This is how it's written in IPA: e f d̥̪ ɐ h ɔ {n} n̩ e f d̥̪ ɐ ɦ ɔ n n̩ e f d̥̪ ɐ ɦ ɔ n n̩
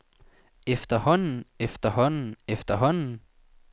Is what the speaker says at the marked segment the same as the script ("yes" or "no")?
yes